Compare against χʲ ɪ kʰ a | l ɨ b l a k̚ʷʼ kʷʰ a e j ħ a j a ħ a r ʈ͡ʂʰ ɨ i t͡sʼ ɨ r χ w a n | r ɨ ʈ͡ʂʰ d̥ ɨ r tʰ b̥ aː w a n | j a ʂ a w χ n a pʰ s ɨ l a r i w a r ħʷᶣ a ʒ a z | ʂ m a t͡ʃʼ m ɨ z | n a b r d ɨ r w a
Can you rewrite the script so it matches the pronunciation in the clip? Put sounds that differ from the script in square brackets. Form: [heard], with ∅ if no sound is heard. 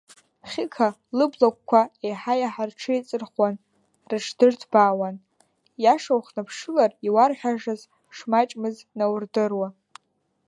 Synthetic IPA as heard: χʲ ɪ kʰ a | l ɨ b l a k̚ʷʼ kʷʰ a e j ħ a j a ħ a r ʈ͡ʂʰ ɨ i t͡sʼ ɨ r χ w a n | r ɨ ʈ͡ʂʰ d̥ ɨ r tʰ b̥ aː w a n | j a ʂ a w χ n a pʰ [ʂ] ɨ l a r i w a r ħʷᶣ a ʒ a z | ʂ m a t͡ʃʼ m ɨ z | n a [w] r d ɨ r w a